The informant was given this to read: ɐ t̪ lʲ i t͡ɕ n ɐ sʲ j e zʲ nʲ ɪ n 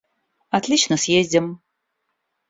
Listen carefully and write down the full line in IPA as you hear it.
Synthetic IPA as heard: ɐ t̪ lʲ i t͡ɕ n ə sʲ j e zʲ dʲ ɪ m